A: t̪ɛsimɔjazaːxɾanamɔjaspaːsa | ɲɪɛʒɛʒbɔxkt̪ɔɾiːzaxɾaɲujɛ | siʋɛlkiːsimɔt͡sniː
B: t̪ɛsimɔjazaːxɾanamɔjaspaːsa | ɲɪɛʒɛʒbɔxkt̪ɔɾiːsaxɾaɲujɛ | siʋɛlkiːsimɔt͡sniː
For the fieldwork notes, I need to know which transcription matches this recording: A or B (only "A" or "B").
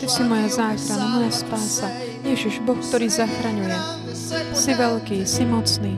A